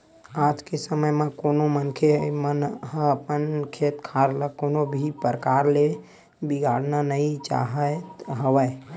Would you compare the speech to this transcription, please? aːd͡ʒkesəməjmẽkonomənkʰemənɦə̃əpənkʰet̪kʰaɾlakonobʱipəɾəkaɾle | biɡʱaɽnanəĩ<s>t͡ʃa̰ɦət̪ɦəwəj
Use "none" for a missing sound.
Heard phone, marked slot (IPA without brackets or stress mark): none